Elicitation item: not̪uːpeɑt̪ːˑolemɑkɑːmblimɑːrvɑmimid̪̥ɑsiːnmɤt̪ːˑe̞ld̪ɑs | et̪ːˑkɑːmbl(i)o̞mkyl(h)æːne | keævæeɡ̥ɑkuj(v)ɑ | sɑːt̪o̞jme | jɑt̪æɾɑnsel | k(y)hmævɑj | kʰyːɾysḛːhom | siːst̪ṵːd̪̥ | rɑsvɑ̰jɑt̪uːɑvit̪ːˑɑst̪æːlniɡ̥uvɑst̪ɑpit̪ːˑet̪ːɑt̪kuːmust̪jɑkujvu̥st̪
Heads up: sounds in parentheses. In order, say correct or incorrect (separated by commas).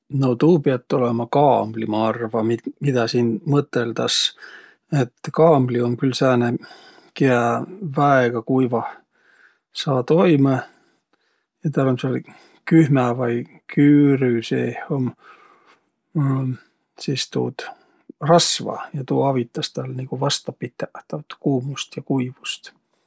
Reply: correct, incorrect, correct, correct